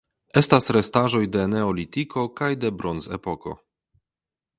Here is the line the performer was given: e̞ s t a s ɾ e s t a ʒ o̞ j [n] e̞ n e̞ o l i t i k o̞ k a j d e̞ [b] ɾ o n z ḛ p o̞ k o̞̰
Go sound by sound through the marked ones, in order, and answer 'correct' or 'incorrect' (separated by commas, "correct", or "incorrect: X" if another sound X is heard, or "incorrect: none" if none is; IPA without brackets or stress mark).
incorrect: d, correct